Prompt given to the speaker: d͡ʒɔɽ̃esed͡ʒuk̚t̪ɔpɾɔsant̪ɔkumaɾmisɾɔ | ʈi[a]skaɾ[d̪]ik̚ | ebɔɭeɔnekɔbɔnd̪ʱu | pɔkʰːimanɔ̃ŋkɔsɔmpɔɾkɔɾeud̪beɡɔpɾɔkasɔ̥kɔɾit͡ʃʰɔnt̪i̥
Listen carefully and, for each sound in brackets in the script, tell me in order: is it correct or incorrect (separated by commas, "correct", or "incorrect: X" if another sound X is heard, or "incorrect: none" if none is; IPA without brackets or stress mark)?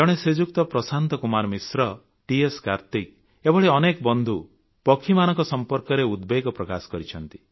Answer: incorrect: e, incorrect: t̪